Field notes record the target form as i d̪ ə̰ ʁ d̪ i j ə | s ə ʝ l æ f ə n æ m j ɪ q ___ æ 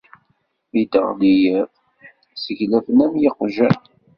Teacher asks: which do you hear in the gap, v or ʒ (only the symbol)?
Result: ʒ